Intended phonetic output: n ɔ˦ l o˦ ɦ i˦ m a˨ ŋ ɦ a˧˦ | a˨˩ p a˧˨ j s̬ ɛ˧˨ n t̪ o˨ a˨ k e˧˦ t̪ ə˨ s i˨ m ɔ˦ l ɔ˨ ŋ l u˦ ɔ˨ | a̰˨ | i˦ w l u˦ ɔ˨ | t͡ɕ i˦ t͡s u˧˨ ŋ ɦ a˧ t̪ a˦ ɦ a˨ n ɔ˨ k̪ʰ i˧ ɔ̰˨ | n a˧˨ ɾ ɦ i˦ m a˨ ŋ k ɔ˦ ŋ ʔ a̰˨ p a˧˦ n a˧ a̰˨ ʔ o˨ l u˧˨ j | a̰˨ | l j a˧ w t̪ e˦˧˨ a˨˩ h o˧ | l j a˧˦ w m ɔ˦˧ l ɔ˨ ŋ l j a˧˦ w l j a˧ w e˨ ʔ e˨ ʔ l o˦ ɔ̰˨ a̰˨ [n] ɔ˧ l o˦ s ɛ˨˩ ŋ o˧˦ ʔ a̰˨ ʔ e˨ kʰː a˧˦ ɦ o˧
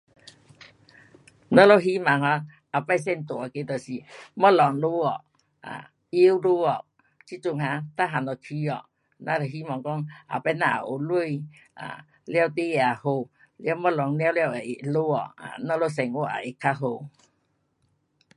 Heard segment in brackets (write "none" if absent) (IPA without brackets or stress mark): n